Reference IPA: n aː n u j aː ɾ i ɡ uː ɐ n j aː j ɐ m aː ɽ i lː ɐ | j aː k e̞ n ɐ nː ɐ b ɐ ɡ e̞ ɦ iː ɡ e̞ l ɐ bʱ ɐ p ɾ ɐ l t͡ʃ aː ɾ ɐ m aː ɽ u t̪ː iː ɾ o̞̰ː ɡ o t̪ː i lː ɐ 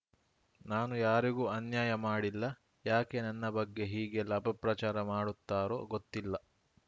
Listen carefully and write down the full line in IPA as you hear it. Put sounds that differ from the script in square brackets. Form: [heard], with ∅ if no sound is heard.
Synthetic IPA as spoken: n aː n u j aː ɾ i ɡ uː ɐ n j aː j ɐ m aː ɽ i lː ɐ | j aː k e̞ n ɐ nː ɐ b ɐ [ɡː] e̞ ɦ iː ɡ e̞ l ɐ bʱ ɐ p ɾ ɐ [∅] t͡ʃ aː ɾ ɐ m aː ɽ u t̪ː [aː] ɾ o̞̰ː ɡ o t̪ː i lː ɐ

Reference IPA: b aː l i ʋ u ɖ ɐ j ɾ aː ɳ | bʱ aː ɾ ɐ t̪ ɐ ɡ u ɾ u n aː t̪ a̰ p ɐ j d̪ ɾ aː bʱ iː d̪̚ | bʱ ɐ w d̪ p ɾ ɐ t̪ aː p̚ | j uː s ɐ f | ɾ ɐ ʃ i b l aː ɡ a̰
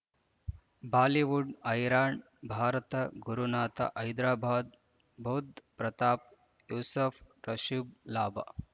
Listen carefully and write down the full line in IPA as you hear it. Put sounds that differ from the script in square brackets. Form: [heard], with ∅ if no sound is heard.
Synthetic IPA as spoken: b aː l i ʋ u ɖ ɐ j ɾ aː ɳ | bʱ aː ɾ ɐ t̪ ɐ ɡ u ɾ u n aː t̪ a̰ [ʔ] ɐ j d̪ ɾ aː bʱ [aː] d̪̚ | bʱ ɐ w d̪ p ɾ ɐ t̪ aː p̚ | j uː s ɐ f | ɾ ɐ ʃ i b l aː [b] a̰

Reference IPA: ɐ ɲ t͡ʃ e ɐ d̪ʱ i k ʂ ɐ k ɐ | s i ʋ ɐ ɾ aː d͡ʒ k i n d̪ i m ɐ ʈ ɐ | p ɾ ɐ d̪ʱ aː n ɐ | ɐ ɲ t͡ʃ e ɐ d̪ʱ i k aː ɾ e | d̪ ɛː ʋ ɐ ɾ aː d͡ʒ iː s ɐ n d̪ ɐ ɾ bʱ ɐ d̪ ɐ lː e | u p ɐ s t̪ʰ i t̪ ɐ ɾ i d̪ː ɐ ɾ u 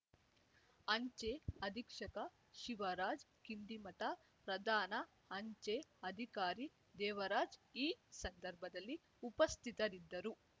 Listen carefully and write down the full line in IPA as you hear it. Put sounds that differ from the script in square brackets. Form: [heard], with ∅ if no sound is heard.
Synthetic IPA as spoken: ɐ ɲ t͡ʃ e ɐ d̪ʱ i k ʂ ɐ k ɐ | [ʃ] i ʋ ɐ ɾ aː d͡ʒ k i n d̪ i m ɐ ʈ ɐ | p ɾ ɐ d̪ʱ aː n ɐ | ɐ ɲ t͡ʃ e ɐ d̪ʱ i k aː ɾ [i] | d̪ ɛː ʋ ɐ ɾ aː d͡ʒ iː s ɐ n d̪ ɐ ɾ bʱ ɐ d̪ ɐ lː [i] | u p ɐ s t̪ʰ i t̪ ɐ ɾ i d̪ː ɐ ɾ u

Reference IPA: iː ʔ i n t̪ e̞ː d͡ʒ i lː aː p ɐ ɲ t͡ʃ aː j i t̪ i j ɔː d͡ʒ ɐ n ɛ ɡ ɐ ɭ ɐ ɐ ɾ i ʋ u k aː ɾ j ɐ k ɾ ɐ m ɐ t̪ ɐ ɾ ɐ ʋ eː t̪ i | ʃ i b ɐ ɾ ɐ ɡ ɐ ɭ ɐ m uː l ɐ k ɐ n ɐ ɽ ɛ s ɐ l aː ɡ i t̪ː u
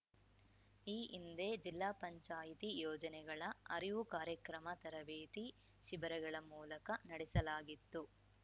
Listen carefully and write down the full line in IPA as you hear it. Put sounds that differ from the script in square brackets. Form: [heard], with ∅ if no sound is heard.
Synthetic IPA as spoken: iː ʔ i n [d̪] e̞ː d͡ʒ i lː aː p ɐ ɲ t͡ʃ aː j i t̪ i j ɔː d͡ʒ ɐ n ɛ ɡ ɐ ɭ ɐ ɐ ɾ i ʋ u k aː ɾ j ɐ k ɾ ɐ m ɐ t̪ ɐ ɾ ɐ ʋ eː t̪ i | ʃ i b ɐ ɾ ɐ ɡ ɐ ɭ ɐ m uː l ɐ k ɐ n ɐ ɽ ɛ s ɐ l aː ɡ i t̪ː u

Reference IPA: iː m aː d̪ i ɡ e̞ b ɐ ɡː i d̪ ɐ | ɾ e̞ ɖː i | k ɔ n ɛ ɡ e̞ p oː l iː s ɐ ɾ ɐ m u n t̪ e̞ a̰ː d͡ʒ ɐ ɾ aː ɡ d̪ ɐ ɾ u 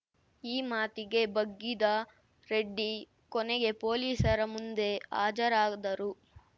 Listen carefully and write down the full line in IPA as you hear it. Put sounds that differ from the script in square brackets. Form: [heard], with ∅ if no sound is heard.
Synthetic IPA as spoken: iː m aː [t̪] i ɡ e̞ b ɐ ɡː i d̪ ɐ | ɾ e̞ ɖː i | k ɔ n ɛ ɡ e̞ p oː l iː s ɐ ɾ ɐ m u n [d̪] e̞ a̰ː d͡ʒ ɐ ɾ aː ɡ d̪ ɐ ɾ u

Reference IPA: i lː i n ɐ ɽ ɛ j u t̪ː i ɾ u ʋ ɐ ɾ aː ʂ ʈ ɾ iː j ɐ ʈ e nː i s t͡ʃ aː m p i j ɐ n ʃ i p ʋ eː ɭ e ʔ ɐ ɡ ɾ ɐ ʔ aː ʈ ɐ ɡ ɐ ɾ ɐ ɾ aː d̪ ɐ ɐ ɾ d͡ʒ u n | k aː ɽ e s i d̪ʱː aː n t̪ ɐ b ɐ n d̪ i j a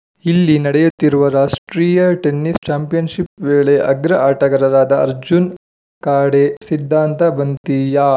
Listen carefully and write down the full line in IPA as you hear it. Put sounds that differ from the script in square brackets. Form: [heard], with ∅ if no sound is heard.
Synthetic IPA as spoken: i lː i n ɐ ɽ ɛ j u t̪ː i ɾ u ʋ ɐ ɾ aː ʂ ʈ ɾ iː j ɐ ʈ e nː i s t͡ʃ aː m p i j ɐ n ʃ i p ʋ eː ɭ e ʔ ɐ ɡ ɾ ɐ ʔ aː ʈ ɐ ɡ ɐ ɾ ɐ ɾ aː d̪ ɐ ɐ ɾ d͡ʒ u n | k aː ɽ e s i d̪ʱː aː n t̪ ɐ b ɐ n [t̪] i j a

